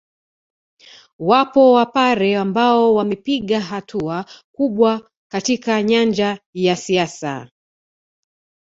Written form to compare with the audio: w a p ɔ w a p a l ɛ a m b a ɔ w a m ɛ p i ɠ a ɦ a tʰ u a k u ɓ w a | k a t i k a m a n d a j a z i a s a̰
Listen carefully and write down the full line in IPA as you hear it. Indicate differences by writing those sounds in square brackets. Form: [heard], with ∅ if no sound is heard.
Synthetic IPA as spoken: w a p ɔ w a p a [ɾ] ɛ a m b a ɔ w a m ɛ p i ɠ a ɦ a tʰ u a k u ɓ w a | k a t i k a [ɲ] a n [d͡ʒ] a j a [s] i a s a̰